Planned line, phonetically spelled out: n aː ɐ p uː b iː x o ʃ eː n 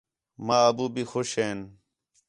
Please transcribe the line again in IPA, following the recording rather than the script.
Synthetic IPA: m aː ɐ b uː b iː x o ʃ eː n